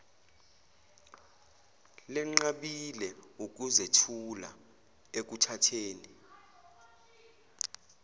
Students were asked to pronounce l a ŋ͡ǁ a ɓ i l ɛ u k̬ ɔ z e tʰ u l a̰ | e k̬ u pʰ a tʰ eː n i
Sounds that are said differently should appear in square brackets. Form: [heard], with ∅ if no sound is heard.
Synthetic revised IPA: l [ɛ] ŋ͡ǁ a ɓ i l ɛ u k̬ [u] z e tʰ u l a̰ | e k̬ u [tʰ] a tʰ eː n i